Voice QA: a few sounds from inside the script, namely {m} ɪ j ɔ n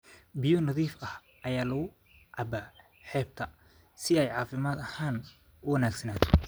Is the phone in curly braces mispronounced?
yes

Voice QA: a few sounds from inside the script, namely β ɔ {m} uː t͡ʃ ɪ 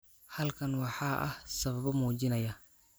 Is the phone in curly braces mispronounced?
no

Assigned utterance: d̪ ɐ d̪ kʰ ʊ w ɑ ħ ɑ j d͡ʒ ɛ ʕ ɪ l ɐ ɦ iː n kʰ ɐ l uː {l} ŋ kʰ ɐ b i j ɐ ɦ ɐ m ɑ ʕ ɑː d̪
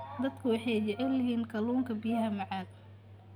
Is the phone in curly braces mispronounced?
yes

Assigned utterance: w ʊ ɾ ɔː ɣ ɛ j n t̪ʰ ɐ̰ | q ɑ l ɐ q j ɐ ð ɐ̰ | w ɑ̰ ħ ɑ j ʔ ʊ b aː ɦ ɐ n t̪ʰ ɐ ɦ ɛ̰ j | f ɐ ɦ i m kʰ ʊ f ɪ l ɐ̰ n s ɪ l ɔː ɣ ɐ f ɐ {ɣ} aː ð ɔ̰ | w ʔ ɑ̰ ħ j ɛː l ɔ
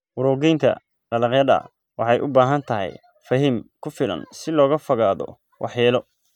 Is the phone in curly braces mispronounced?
no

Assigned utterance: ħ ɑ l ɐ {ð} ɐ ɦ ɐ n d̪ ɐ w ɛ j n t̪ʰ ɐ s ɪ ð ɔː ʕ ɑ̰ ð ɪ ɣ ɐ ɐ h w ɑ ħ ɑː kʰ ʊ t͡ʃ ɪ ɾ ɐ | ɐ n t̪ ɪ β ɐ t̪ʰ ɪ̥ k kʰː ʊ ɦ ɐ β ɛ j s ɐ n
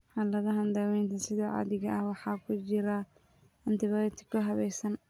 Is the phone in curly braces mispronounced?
yes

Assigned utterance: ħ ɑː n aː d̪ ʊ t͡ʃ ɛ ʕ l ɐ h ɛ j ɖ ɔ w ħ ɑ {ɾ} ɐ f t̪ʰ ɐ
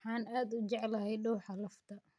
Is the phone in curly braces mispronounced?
yes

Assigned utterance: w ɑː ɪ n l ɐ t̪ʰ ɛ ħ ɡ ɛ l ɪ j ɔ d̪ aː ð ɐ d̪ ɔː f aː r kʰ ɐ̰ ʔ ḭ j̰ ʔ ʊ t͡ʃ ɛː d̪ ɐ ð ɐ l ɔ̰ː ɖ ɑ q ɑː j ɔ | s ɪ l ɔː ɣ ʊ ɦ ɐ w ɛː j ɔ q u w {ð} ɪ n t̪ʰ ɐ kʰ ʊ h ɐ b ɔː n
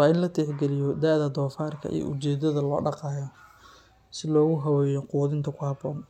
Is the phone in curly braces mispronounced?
no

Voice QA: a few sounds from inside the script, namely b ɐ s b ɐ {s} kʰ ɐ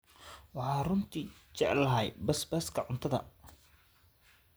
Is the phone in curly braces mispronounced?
no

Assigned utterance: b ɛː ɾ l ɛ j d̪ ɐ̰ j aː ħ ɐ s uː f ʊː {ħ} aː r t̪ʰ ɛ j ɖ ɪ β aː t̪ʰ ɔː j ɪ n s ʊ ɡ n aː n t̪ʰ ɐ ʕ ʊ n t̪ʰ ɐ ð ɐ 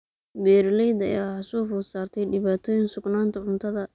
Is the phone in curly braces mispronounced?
yes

